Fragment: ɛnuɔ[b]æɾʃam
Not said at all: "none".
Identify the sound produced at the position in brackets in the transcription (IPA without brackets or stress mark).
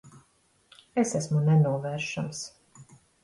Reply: v